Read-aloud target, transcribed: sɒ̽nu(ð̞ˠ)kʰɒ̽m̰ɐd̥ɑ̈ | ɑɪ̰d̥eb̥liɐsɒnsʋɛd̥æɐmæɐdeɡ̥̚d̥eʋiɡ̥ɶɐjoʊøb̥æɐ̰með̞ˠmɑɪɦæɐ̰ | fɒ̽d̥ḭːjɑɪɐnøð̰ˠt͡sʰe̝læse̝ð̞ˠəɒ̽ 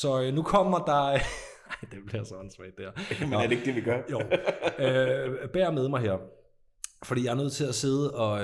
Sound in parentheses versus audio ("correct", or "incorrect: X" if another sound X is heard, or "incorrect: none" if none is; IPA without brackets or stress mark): incorrect: none